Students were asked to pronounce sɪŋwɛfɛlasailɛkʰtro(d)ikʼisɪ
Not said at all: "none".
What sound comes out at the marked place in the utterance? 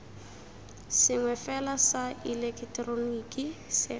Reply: n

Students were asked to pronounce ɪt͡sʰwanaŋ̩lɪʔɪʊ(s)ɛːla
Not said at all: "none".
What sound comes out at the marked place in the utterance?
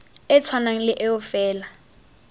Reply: f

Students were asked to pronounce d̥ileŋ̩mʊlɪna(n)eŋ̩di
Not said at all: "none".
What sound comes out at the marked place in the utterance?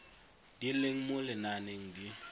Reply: n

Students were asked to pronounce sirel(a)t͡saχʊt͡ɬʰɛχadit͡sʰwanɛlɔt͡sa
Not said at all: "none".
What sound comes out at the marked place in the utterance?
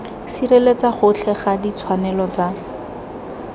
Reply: e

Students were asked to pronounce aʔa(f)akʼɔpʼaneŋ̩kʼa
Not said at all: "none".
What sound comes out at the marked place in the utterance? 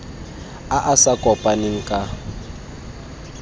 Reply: s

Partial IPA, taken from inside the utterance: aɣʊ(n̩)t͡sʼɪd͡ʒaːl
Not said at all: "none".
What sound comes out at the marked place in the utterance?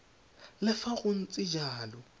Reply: n̩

